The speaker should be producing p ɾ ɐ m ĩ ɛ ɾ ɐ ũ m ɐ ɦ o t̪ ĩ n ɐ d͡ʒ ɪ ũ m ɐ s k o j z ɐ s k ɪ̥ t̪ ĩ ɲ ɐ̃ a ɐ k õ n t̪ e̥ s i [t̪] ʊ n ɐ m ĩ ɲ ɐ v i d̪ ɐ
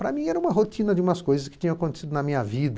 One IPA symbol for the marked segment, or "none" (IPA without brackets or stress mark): d̪